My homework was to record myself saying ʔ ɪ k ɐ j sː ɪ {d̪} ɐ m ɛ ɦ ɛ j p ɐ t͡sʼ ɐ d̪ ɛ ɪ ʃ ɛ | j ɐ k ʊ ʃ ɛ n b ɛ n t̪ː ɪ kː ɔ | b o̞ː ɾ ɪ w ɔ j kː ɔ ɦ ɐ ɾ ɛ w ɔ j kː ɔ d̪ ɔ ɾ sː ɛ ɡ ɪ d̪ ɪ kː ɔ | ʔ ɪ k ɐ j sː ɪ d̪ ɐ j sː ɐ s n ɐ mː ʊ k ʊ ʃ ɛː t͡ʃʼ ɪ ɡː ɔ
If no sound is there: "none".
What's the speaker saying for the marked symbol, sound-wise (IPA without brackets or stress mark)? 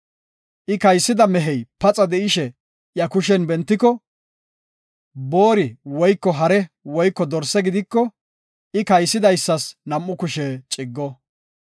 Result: d̪